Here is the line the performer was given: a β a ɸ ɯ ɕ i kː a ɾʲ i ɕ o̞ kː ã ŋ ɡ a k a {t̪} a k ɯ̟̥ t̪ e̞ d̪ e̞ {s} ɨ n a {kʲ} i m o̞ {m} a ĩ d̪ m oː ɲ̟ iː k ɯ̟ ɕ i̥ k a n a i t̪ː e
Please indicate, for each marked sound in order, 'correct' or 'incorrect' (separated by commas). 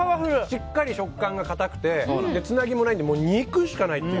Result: correct, incorrect, incorrect, incorrect